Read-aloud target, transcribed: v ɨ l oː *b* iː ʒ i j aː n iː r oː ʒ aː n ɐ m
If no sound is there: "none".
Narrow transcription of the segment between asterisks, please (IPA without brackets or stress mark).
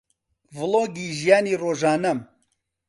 ɡ